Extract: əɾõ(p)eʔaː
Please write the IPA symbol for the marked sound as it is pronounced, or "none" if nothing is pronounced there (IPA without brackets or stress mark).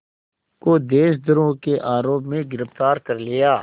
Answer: k